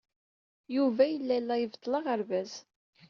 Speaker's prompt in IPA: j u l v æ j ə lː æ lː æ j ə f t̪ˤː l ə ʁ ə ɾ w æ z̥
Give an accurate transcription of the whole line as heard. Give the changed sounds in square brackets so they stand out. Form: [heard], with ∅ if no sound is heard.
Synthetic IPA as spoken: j u [∅] v æ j ə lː æ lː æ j ə [v] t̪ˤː l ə ʁ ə ɾ [v] æ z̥